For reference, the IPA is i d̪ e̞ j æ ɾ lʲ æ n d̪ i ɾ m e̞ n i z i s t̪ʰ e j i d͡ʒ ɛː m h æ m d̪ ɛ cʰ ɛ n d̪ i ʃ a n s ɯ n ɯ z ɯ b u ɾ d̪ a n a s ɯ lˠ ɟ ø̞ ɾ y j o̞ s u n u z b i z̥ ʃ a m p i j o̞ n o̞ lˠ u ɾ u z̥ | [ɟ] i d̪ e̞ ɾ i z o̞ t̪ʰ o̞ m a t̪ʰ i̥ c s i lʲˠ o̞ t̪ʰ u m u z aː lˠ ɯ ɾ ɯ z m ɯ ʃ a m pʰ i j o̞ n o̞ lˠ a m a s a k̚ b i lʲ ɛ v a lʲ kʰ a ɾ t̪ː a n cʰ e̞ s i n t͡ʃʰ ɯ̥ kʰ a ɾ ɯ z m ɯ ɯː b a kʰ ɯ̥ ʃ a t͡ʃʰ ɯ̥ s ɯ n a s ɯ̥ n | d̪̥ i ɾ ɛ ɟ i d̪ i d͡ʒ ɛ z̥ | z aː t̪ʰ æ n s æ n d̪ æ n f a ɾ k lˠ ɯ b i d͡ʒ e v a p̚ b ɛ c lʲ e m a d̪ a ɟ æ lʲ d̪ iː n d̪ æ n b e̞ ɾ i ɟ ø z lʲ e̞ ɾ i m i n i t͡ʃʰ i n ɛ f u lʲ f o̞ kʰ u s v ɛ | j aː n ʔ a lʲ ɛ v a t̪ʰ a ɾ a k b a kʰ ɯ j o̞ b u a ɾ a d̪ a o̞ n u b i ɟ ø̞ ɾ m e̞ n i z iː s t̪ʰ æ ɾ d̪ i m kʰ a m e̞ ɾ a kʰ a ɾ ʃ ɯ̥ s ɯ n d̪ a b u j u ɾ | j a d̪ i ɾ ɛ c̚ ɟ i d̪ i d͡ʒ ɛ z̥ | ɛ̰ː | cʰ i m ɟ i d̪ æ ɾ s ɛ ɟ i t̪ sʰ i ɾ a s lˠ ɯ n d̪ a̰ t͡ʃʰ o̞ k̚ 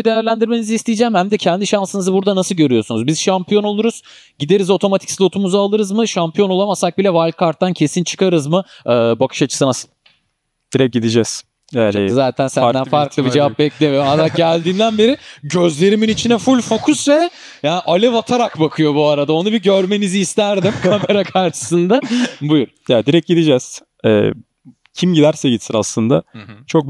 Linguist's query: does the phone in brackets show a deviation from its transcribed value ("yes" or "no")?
no